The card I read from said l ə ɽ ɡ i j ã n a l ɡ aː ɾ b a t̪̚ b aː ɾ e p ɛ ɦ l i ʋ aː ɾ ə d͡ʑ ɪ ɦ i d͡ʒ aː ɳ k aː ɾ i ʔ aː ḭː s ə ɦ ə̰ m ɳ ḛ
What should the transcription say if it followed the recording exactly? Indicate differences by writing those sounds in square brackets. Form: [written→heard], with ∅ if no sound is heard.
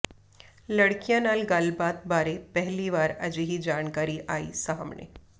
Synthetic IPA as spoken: l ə ɽ [ɡ→k] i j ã n a l ɡ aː [ɾ→l] b a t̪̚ b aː ɾ e p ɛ ɦ l i ʋ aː ɾ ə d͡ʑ [ɪ→i] ɦ i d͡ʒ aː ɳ k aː ɾ i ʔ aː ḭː s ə ɦ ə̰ m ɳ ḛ